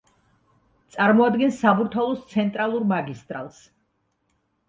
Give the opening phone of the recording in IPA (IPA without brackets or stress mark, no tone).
t̪